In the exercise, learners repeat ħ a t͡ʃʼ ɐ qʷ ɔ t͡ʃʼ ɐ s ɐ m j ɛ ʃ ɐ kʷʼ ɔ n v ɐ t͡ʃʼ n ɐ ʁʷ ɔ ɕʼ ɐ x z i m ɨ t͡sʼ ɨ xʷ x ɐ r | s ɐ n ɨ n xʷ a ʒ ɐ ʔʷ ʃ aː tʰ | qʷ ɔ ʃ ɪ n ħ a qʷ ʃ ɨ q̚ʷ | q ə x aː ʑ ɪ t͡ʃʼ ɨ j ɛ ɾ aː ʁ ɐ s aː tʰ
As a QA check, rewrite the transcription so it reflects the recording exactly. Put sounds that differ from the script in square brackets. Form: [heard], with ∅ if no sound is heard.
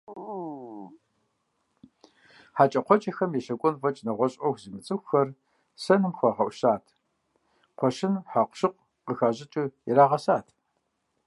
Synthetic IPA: ħ a t͡ʃʼ ɐ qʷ ɔ t͡ʃʼ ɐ [x] ɐ m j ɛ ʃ ɐ kʷʼ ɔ n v ɐ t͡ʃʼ n ɐ ʁʷ ɔ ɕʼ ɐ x z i m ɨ t͡sʼ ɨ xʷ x ɐ r | s ɐ n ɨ [m] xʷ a [ʁ] ɐ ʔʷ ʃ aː tʰ | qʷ ɔ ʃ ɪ n ħ a qʷ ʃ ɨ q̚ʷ | q ə x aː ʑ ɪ t͡ʃʼ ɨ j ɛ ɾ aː ʁ ɐ s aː tʰ

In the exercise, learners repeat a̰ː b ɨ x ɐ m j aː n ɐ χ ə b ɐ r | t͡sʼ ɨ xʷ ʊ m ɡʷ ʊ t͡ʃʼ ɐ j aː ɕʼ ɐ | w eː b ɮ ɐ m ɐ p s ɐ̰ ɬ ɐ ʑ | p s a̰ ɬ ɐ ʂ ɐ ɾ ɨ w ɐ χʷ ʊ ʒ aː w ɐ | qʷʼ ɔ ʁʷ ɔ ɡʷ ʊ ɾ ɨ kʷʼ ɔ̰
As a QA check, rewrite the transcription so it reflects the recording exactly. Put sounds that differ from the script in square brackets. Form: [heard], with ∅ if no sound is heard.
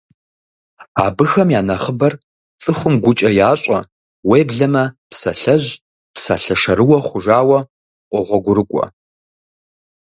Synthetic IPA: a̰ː b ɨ x ɐ m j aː n ɐ χ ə b ɐ r | t͡sʼ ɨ xʷ ʊ m ɡʷ ʊ t͡ʃʼ ɐ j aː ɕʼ ɐ | w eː b ɮ ɐ m ɐ p s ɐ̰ ɬ ɐ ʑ | p s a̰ ɬ ɐ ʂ ɐ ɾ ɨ w ɐ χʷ ʊ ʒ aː w ɐ | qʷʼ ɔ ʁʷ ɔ ɡʷ ʊ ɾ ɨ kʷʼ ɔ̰

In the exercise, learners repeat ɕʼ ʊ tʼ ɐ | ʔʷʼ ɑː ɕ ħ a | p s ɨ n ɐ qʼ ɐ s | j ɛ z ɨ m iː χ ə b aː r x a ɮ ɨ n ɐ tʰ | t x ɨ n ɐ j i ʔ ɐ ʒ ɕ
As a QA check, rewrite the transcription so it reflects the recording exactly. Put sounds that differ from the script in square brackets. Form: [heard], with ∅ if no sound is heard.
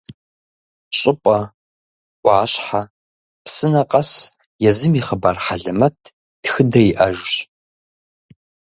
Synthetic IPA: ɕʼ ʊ [pʼ] ɐ | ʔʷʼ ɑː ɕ ħ a | p s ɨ n ɐ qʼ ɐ s | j ɛ z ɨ m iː χ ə b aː r [ħ] a ɮ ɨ [m] ɐ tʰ | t x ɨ [d] ɐ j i ʔ ɐ ʒ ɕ

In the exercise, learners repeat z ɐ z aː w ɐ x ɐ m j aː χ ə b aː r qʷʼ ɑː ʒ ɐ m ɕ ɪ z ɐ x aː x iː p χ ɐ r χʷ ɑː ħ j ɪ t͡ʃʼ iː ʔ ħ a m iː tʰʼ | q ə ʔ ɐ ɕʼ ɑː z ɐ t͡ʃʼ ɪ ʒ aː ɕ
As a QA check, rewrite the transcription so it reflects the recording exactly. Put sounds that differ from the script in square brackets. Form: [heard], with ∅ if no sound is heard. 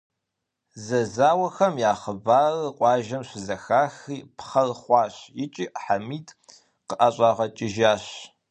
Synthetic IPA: z ɐ z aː w ɐ x ɐ m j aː χ ə b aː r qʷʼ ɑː ʒ ɐ m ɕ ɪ z ɐ x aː x iː p χ ɐ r χʷ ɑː [ɕ] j ɪ t͡ʃʼ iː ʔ ħ a m iː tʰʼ | q ə ʔ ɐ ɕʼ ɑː [ʁ] ɐ t͡ʃʼ ɪ ʒ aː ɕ

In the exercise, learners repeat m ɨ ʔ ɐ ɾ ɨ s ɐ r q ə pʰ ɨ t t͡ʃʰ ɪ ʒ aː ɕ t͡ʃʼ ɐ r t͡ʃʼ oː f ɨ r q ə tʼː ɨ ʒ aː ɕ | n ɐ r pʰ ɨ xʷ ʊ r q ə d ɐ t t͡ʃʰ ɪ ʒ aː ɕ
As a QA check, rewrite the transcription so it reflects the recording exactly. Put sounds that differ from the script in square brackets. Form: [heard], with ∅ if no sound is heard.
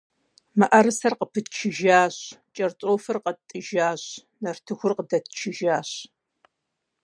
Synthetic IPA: m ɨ ʔ ɐ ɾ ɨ s ɐ r q ə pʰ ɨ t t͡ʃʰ ɪ ʒ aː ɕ t͡ʃʼ ɐ r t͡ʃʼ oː f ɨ r q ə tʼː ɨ ʒ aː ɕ | n ɐ r [tʰ] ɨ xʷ ʊ r q ə d ɐ t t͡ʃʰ ɪ ʒ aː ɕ

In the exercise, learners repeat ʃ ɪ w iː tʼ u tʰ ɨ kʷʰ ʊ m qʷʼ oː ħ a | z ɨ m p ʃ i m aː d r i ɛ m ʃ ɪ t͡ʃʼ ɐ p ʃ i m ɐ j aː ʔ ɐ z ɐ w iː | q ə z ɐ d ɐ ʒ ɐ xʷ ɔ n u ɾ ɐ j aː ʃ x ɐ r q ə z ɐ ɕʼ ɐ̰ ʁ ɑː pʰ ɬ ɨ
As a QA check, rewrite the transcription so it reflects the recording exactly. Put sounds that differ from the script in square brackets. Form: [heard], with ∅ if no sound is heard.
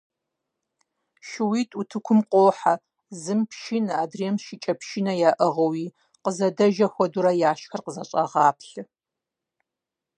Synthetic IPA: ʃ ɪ w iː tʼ u tʰ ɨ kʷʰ ʊ m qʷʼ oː ħ a | z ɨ m p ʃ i [n] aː d r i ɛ m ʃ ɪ t͡ʃʼ ɐ p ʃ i [n] ɐ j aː ʔ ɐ [ʁ] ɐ w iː | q ə z ɐ d ɐ ʒ ɐ xʷ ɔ [d] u ɾ ɐ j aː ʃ x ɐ r q ə z ɐ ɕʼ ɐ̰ ʁ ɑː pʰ ɬ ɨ

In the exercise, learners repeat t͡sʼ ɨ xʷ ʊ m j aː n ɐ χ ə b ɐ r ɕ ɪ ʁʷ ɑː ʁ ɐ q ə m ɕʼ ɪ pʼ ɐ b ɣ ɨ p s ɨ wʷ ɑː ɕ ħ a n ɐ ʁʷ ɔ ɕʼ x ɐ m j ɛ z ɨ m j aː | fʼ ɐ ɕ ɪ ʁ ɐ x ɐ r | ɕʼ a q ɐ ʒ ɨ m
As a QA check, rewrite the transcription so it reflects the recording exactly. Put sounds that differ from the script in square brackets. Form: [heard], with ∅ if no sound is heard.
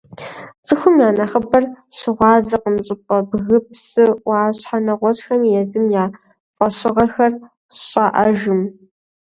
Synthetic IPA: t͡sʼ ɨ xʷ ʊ m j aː n ɐ χ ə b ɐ r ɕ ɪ ʁʷ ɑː [z] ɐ q ə m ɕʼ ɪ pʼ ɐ b ɣ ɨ p s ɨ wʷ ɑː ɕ ħ a n ɐ ʁʷ ɔ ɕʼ x ɐ m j ɛ z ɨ m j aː | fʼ ɐ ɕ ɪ ʁ ɐ x ɐ r | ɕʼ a [ʔ] ɐ ʒ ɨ m

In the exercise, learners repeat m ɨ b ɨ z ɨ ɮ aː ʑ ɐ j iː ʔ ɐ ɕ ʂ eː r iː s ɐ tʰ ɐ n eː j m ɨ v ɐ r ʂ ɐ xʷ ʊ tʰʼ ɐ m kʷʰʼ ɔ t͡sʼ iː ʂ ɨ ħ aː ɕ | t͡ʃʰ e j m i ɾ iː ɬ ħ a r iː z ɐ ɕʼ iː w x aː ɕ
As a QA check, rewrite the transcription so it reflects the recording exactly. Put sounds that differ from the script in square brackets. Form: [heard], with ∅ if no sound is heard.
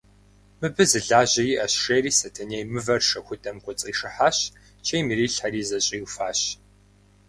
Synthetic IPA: m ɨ b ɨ z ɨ ɮ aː ʑ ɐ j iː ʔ ɐ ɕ ʂ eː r iː s ɐ tʰ ɐ n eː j m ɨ v ɐ r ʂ ɐ xʷ ʊ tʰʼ ɐ m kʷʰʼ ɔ t͡sʼ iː ʂ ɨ ħ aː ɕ | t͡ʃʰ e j m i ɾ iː ɬ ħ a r iː z ɐ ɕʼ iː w [f] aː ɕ

